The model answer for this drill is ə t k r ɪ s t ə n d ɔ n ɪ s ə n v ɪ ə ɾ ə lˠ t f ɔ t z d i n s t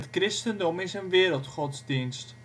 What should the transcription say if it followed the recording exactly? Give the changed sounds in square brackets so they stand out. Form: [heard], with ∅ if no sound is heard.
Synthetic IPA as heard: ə t k r ɪ s t ə n d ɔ [m] ɪ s ə n [ʋ] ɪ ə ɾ ə lˠ t [χ] ɔ t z d i n s t